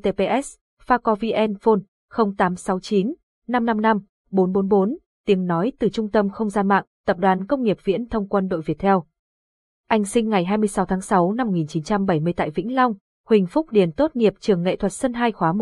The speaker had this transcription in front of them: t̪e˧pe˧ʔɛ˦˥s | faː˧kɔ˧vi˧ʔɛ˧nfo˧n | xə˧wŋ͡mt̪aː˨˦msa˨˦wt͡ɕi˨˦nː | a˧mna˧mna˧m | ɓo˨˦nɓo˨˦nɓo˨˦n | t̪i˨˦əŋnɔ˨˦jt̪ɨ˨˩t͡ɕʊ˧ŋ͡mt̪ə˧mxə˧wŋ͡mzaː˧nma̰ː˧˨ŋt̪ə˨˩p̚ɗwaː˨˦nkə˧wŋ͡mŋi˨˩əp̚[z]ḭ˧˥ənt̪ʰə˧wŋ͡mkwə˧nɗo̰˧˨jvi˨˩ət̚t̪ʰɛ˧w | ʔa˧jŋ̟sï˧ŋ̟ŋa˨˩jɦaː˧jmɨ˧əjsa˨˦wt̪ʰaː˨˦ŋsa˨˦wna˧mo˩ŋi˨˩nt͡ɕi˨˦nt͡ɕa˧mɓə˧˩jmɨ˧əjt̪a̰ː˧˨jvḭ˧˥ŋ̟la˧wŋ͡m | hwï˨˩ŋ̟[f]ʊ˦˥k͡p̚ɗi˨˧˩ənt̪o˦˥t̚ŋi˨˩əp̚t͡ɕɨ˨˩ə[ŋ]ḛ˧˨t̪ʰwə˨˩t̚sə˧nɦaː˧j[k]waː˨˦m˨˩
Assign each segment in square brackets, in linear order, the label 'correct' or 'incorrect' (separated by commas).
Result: incorrect, correct, incorrect, incorrect